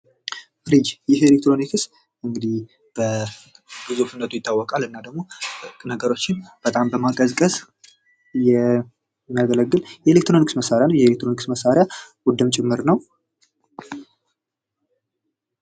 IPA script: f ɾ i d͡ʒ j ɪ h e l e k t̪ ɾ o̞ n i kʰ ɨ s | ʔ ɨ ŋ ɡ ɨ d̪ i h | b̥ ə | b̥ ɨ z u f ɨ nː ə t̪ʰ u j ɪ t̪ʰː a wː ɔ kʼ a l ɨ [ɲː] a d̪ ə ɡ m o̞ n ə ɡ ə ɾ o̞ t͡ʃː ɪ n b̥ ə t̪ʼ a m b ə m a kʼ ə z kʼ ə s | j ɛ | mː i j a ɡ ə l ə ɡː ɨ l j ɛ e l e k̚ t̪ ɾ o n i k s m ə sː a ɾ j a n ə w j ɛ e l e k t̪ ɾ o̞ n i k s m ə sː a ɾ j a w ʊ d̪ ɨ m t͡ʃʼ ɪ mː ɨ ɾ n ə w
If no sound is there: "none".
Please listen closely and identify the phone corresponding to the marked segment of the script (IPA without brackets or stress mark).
nː